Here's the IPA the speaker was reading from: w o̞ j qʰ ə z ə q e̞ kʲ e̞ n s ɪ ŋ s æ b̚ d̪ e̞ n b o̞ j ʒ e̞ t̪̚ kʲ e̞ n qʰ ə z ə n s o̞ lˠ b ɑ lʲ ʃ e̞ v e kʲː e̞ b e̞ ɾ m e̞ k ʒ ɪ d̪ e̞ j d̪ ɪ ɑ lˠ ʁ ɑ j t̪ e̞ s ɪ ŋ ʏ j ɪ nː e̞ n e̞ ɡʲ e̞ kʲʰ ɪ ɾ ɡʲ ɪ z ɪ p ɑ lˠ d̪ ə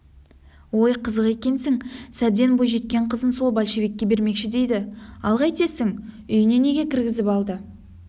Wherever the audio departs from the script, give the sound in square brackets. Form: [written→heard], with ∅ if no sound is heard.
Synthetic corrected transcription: w o̞ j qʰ ə z ə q e̞ kʲ e̞ n s ɪ ŋ s æ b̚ d̪ e̞ n b o̞ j ʒ e̞ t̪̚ kʲ e̞ [n→ɴ] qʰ ə z ə n s o̞ lˠ b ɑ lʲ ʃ e̞ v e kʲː e̞ b e̞ ɾ m e̞ k [ʒ→ʃ] ɪ d̪ e̞ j d̪ ɪ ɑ lˠ ʁ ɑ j t̪ e̞ s ɪ ŋ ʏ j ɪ [nː→n] e̞ n e̞ ɡʲ e̞ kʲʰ ɪ ɾ ɡʲ ɪ z ɪ p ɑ lˠ d̪ ə